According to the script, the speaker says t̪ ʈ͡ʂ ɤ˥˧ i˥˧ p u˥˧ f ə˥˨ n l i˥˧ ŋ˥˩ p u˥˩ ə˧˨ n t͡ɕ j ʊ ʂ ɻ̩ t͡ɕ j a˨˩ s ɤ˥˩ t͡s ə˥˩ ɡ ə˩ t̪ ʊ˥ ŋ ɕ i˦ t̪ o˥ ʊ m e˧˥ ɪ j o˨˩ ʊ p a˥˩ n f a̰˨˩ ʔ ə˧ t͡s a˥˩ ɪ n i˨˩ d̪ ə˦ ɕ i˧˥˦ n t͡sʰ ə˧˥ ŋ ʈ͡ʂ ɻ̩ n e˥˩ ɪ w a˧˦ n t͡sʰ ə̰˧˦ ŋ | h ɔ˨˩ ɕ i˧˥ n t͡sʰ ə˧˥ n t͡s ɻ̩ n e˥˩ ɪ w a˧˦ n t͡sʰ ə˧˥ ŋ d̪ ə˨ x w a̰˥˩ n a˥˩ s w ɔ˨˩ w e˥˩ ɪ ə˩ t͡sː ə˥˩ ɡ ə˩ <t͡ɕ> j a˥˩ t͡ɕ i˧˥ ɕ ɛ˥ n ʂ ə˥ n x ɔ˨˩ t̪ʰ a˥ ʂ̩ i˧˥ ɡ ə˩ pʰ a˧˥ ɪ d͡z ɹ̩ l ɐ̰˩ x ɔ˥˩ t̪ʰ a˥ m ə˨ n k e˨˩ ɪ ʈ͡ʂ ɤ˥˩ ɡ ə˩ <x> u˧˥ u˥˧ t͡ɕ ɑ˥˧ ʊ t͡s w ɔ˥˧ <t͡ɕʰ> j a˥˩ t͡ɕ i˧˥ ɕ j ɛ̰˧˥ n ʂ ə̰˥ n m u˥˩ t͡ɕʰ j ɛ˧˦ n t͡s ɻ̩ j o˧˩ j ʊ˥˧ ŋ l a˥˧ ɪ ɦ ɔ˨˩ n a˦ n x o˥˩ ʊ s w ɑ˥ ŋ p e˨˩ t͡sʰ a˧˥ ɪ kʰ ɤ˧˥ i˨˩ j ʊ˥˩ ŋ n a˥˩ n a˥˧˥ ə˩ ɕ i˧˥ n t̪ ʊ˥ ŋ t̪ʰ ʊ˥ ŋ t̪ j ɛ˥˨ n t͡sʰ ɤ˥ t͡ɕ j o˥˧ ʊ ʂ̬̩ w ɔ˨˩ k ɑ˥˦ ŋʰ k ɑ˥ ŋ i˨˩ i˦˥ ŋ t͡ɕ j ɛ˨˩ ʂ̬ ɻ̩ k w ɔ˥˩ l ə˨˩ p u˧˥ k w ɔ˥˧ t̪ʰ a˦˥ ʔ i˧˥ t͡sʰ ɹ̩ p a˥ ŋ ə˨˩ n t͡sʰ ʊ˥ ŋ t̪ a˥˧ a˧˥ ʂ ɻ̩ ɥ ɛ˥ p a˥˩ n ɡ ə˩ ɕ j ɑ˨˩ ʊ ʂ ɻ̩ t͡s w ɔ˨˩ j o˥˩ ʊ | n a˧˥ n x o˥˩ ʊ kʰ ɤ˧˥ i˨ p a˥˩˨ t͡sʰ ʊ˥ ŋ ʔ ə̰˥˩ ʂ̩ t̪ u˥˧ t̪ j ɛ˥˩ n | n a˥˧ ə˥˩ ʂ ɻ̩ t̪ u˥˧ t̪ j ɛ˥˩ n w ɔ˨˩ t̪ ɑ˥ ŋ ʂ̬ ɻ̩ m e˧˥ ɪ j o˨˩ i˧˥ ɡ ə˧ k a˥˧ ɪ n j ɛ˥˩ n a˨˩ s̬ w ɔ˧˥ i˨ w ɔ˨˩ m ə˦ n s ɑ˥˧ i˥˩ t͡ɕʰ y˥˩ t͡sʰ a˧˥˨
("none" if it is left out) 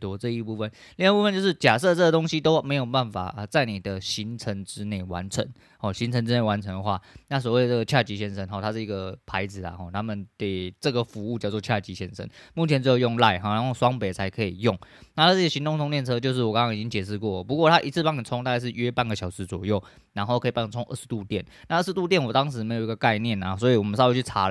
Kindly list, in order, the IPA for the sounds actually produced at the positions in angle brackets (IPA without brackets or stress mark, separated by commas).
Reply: t͡ɕʰ, f, t͡ɕʰ